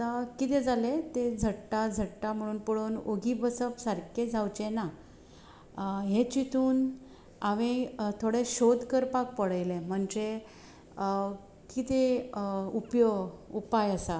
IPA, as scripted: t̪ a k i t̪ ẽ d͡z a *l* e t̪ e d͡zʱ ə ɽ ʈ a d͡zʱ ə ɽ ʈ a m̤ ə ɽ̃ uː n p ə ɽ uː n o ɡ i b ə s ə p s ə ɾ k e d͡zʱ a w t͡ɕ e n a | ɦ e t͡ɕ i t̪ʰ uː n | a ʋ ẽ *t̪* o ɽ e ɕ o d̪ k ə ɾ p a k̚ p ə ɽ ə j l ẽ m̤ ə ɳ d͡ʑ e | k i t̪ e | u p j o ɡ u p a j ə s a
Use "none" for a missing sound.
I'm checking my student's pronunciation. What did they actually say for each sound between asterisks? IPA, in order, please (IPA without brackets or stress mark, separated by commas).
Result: l, t̪ʰ